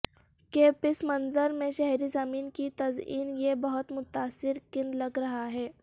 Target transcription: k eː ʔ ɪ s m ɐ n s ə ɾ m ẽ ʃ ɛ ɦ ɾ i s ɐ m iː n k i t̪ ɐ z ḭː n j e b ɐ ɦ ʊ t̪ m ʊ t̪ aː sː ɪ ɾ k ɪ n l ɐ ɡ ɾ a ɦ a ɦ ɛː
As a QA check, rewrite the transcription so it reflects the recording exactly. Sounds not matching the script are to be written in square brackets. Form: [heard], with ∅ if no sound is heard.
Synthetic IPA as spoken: k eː [p] ɪ s m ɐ n [z] ə ɾ m ẽ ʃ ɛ ɦ ɾ i [z] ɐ m iː n k i t̪ ɐ z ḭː n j e b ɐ ɦ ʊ t̪ m ʊ t̪ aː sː ɪ ɾ k ɪ n l ɐ ɡ ɾ [ɐ] ɦ a ɦ ɛː